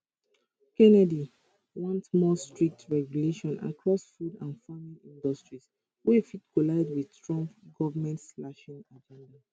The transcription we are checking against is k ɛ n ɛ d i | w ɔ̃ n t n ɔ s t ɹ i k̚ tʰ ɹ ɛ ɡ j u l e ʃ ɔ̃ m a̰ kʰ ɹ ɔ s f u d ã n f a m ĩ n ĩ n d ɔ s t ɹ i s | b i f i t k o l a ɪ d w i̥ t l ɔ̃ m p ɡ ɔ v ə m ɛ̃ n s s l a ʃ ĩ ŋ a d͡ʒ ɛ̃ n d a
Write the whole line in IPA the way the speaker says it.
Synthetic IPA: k ɛ n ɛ d i | w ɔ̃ n t m ɔ s t ɹ i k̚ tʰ ɹ ɛ ɡ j u l e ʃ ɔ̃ n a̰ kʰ ɹ ɔ s f u d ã n f a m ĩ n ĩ n d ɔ s t ɹ i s | w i f i t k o l a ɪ d w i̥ t ɹ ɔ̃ m p ɡ ɔ v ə m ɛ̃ n t s l a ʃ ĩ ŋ a d͡ʒ ɛ̃ n d a